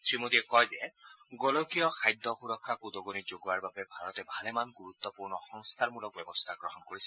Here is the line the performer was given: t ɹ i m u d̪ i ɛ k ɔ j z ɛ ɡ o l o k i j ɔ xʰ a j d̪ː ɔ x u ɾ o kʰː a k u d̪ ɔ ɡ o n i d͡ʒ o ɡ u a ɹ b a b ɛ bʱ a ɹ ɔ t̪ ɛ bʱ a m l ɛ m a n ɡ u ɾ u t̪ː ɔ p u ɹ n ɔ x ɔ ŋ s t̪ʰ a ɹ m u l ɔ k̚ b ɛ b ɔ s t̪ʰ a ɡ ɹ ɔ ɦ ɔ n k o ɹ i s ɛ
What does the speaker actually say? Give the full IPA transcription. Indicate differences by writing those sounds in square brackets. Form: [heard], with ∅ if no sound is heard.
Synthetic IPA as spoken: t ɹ i m [o] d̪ i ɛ k ɔ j z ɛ ɡ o l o k i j ɔ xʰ a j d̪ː ɔ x u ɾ [ɔ] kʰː a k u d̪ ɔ ɡ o n i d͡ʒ o ɡ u a ɹ b a b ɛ bʱ a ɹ ɔ t̪ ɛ bʱ a [∅] l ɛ m a n ɡ u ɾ u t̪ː ɔ p u ɹ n ɔ x ɔ ŋ s t̪ʰ a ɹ m u l ɔ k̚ b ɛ b ɔ s t̪ʰ a ɡ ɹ ɔ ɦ ɔ n k o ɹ i s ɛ